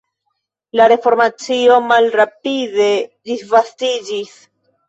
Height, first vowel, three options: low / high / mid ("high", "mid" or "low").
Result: low